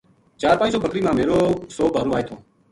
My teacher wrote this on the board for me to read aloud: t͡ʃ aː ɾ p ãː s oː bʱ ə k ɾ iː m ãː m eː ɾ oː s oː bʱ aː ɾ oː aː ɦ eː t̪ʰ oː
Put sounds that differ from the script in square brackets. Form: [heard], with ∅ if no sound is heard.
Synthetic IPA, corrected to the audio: t͡ʃ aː ɾ p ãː s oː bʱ ə k ɾ iː m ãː m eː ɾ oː s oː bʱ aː ɾ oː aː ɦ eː t̪ʰ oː